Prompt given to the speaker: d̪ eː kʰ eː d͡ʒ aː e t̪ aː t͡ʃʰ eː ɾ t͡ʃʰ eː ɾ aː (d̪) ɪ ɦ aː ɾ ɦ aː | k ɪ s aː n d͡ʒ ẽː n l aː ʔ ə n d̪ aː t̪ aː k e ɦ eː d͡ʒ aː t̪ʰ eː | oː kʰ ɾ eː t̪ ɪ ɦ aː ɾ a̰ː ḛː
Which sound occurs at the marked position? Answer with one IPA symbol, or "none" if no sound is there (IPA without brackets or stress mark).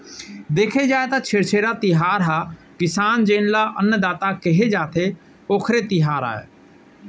t̪